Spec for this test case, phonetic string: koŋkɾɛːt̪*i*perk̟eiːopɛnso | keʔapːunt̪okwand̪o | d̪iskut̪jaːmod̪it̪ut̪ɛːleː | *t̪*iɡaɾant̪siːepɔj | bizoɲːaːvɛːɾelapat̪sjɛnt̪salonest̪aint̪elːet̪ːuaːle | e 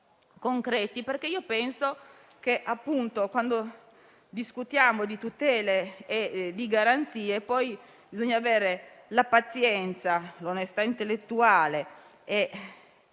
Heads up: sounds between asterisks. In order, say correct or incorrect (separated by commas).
correct, incorrect